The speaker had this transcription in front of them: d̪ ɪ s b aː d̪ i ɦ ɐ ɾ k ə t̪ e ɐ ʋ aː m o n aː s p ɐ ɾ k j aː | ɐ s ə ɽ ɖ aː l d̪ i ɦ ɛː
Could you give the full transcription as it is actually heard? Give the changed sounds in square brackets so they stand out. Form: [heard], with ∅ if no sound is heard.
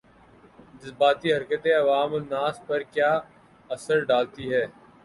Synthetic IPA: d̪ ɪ s b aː [t̪] i ɦ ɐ ɾ k ə t̪ e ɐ ʋ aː m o n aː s p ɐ ɾ k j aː | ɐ s ə [ɾ] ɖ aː l [t̪] i ɦ ɛː